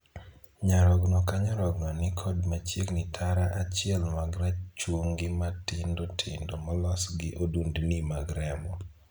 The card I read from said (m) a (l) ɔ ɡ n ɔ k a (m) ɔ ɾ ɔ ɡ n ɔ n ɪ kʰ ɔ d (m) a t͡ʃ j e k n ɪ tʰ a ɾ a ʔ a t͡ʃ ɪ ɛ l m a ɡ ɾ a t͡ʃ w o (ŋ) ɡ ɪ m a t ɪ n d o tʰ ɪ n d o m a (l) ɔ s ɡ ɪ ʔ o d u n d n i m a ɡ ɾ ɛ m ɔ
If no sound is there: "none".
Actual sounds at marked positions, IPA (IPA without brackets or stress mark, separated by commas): ɲ, ɾ, ɲ, m, ŋ, l